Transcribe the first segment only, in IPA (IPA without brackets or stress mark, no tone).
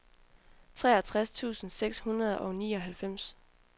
t͡sʰ